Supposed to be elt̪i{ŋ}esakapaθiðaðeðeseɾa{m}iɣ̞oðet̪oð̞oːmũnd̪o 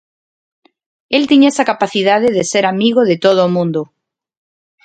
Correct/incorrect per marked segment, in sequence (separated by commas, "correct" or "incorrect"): incorrect, correct